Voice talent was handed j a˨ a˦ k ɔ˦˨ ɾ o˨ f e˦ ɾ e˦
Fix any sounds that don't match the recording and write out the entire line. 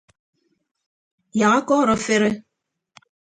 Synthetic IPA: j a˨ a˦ k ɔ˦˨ ɾ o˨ f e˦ ɾ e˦

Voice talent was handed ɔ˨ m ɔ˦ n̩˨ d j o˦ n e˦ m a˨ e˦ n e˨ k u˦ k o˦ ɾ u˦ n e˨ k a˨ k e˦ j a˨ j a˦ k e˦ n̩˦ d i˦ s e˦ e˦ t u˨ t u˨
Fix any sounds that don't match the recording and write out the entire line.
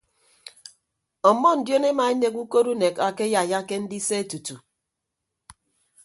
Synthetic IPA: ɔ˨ m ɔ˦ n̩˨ d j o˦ n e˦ m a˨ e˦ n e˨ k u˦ k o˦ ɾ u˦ n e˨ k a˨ k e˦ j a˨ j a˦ k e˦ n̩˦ d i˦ s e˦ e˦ t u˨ t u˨

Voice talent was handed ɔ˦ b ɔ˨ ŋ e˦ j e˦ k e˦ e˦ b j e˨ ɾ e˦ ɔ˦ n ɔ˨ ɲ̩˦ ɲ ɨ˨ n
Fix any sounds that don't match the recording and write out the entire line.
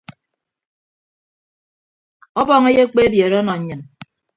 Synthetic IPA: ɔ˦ b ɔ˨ ŋ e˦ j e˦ k͡p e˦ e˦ b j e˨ ɾ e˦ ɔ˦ n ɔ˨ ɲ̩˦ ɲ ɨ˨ n

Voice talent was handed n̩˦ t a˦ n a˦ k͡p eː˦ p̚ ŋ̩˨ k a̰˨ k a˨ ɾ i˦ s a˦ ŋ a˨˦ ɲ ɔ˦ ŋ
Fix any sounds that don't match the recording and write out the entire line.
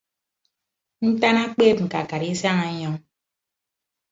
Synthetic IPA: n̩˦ t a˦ n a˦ k͡p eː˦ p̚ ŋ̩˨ k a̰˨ k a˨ ɾ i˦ s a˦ ŋ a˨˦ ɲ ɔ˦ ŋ

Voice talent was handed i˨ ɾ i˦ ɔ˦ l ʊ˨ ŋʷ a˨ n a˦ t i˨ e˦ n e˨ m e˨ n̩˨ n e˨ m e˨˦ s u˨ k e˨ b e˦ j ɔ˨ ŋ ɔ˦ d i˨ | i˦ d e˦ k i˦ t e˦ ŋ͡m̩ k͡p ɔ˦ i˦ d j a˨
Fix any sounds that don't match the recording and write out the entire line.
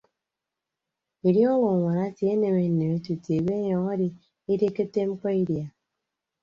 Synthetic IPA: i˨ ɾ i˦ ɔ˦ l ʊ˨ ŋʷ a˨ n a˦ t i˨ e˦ n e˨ m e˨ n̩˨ n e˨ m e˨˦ t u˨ t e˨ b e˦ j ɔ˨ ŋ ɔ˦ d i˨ | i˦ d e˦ k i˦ t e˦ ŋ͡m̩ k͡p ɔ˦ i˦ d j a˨

